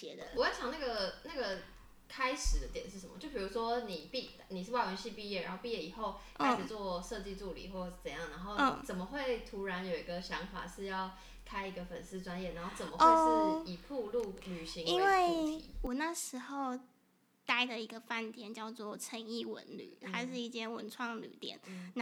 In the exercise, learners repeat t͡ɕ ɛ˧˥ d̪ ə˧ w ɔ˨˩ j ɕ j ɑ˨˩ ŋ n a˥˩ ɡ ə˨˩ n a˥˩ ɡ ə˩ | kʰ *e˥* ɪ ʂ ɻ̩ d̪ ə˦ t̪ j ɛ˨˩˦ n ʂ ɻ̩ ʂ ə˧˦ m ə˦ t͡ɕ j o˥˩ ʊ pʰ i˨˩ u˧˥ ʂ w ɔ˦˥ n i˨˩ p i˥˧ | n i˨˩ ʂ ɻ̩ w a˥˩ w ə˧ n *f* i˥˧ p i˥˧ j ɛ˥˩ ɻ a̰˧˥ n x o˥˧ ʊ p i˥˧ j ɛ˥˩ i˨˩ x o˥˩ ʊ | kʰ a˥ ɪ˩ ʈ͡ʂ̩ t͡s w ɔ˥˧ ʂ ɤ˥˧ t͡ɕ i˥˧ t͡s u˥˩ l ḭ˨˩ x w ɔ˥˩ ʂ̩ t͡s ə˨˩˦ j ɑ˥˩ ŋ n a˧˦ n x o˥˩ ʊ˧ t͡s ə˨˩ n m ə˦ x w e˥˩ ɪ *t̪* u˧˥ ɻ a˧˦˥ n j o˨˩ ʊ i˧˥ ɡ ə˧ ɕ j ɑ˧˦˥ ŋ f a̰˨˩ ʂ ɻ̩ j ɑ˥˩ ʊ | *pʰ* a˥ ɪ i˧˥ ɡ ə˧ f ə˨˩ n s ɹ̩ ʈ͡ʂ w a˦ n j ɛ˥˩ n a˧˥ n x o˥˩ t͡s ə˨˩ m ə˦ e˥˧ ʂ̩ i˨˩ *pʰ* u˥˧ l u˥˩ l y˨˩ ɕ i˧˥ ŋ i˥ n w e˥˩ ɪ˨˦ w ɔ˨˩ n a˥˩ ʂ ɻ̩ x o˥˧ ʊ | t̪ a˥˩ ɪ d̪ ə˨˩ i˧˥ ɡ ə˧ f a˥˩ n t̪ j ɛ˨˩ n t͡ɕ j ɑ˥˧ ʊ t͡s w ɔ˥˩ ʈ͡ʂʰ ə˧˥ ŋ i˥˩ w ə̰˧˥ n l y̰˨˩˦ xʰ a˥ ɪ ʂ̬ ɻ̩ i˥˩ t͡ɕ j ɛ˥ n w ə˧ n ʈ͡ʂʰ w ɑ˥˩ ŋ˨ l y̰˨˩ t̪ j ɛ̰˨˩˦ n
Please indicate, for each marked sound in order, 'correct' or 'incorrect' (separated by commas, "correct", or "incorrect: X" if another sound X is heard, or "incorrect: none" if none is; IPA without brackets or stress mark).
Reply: incorrect: a˥, incorrect: ɕ, incorrect: t̪ʰ, incorrect: kʰ, correct